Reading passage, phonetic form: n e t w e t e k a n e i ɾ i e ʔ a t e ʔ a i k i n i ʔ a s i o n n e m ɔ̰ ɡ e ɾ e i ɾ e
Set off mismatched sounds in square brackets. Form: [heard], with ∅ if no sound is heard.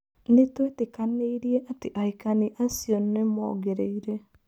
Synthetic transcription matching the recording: n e t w e t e k a n e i ɾ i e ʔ a t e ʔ a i k [a] n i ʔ a s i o n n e m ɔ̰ ɡ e ɾ e i ɾ e